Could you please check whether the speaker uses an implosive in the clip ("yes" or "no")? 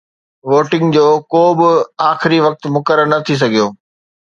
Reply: no